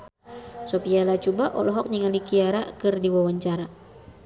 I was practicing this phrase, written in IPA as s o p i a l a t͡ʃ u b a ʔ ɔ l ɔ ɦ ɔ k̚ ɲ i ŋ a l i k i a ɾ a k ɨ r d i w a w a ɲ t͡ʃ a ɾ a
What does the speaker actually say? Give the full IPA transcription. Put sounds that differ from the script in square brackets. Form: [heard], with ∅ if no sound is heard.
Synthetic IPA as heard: s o p i a l a t͡ʃ u b a ʔ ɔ l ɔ ɦ ɔ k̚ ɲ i ŋ a l i k i a ɾ a k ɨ r d i w a w a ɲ t͡ʃ a ɾ a